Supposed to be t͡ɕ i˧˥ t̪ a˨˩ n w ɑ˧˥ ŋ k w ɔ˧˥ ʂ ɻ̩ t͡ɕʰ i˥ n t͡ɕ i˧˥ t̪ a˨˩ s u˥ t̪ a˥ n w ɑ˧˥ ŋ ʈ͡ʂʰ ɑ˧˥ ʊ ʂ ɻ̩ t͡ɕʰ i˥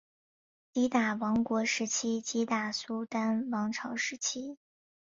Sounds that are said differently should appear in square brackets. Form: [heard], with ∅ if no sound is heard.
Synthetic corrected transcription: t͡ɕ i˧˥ t̪ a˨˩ [∅] w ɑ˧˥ ŋ k w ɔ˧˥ ʂ ɻ̩ t͡ɕʰ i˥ [∅] t͡ɕ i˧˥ t̪ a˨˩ s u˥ t̪ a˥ n w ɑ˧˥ ŋ ʈ͡ʂʰ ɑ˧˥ ʊ ʂ ɻ̩ t͡ɕʰ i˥